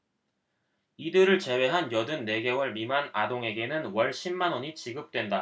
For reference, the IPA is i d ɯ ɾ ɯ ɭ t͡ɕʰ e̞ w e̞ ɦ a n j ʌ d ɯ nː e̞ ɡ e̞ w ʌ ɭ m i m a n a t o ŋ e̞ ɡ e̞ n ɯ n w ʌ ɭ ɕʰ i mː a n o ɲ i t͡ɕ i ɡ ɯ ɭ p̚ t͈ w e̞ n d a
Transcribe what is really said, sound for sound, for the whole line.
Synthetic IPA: i d ɯ ɾ ɯ ɭ t͡ɕ e̞ w e̞ ɦ a n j ʌ d ɯ nː e̞ ɡ e̞ w ʌ ɭ m i m a n a d o ŋ e̞ ɡ e̞ n ɯ n w ʌ ɭ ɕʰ i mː a n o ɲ i t͡ɕ i ɡ ɯ p̚ t͈ w e̞ n d a